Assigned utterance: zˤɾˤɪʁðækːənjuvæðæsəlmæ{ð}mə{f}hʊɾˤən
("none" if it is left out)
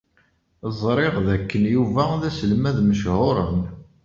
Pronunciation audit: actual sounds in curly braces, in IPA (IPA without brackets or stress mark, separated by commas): ð, ʃ